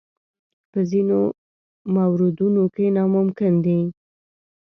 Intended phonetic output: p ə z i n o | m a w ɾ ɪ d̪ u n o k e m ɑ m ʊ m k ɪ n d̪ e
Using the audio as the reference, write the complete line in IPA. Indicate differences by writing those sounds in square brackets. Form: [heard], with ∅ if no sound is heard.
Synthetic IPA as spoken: p ə z i n o | m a w ɾ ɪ d̪ u n o k e [n] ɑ m ʊ m k ɪ n d̪ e

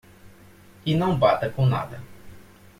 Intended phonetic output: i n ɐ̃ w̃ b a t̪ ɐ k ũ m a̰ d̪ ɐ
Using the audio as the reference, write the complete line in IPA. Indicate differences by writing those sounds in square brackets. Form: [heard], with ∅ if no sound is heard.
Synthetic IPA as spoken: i n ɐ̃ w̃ b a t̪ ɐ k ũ [n] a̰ d̪ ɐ

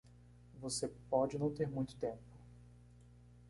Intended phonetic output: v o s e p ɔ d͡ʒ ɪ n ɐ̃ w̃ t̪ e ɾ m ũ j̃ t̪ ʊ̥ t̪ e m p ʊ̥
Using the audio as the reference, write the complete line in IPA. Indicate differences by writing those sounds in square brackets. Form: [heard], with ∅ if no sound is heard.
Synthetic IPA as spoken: v o s e p ɔ d͡ʒ ɪ n ɐ̃ w̃ t̪ e ɾ m ũ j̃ t̪ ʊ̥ t̪ [ẽ] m p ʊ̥

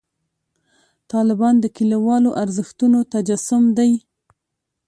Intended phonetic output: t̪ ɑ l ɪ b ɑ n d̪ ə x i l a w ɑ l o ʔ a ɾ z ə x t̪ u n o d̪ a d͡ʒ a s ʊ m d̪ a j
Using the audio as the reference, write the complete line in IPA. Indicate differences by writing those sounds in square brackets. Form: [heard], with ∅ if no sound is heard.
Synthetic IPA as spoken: t̪ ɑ l ɪ b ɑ n d̪ ə [k] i l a w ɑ l o ʔ a ɾ z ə x t̪ u n o [t̪] a d͡ʒ a s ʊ m d̪ a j

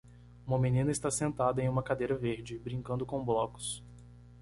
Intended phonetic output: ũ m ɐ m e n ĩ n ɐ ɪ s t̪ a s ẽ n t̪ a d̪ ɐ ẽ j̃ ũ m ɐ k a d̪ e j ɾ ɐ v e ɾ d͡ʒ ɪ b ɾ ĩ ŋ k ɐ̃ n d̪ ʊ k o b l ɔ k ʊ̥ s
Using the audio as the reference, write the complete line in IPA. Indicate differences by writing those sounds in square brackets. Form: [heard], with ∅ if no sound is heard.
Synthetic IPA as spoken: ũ m ɐ m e n ĩ n ɐ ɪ s t̪ a s ẽ n t̪ a d̪ ɐ ẽ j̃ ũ m ɐ k a d̪ e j ɾ ɐ v e ɾ d͡ʒ ɪ b ɾ ĩ ŋ k ɐ̃ n d̪ ʊ k [õ] b l ɔ k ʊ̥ s

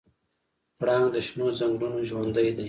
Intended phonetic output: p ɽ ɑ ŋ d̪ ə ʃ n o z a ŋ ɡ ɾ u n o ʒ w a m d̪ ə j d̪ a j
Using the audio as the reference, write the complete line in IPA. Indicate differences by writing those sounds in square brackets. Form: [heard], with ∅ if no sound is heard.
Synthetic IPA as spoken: p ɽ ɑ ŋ d̪ ə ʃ n o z a ŋ ɡ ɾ u n o ʒ w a [n] d̪ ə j d̪ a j

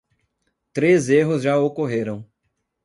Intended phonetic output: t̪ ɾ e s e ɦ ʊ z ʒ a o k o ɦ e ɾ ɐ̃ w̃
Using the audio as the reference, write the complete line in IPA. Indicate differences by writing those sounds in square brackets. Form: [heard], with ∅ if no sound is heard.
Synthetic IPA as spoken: t̪ ɾ e [z] e ɦ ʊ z ʒ a o k o ɦ e ɾ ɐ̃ w̃

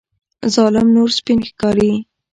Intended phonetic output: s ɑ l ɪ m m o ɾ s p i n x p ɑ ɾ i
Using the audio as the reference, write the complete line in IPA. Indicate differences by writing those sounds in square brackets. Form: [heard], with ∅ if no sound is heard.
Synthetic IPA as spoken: [z] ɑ l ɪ m [n] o ɾ s p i n x [k] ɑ ɾ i

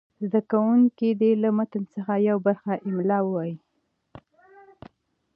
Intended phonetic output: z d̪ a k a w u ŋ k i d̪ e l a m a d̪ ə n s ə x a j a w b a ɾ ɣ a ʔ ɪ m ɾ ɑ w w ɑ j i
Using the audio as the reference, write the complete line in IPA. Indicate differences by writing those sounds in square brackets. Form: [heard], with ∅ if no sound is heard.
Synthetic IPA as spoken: z d̪ a k a w u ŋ k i d̪ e l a m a [t̪] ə n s ə x a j a w b a ɾ [x] a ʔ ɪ m [l] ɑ w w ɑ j i

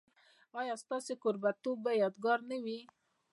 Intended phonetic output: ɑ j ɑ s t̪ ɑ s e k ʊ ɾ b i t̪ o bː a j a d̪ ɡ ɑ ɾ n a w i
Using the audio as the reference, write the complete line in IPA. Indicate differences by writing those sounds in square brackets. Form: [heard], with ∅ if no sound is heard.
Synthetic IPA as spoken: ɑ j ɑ s t̪ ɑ s e k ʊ ɾ b [a] t̪ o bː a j [ɑ] d̪ ɡ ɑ ɾ n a w i

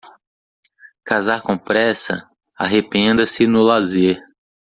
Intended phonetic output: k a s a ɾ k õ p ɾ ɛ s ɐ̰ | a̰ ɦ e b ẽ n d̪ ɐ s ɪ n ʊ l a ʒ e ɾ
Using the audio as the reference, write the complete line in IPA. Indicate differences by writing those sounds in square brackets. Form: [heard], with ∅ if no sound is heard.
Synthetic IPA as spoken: k a [z] a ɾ k õ p ɾ ɛ s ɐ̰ | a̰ ɦ e [p] ẽ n d̪ ɐ s ɪ n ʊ l a [z] e ɾ

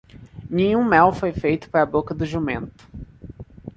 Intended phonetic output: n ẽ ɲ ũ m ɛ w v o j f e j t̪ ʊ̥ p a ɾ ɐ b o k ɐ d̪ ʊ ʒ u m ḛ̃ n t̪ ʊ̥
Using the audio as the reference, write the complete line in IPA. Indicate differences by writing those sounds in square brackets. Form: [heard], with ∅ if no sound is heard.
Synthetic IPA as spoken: n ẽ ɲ ũ m ɛ w [f] o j f e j t̪ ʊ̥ p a ɾ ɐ b o k ɐ d̪ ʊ ʒ u m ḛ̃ n t̪ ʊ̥

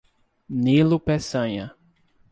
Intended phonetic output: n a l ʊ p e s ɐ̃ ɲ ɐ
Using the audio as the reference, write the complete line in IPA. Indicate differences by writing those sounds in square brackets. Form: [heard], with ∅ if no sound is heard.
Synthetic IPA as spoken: n [i] l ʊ p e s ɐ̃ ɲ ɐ

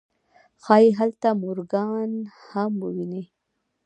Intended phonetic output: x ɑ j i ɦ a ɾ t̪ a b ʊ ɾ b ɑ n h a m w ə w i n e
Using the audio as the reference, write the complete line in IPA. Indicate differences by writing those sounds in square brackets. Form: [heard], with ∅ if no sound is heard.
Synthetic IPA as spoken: x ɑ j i ɦ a [l] t̪ a [m] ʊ ɾ [ɡ] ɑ n h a m w ə w i n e

